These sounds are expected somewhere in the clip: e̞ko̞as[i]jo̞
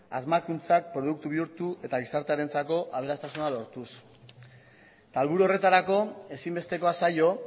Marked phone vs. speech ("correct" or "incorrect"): incorrect